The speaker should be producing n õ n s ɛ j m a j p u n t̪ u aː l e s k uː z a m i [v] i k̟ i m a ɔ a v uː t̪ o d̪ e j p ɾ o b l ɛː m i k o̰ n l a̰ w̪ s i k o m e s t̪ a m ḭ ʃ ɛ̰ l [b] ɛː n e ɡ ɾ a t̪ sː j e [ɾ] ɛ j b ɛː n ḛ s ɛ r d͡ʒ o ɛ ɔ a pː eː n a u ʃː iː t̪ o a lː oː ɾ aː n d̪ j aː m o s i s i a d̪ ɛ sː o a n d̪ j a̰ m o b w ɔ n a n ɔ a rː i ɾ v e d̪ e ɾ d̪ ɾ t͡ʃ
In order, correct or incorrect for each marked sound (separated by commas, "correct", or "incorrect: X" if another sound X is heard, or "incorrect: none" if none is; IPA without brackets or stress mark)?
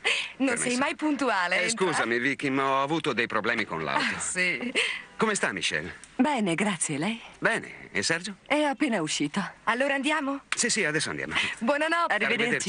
correct, correct, incorrect: l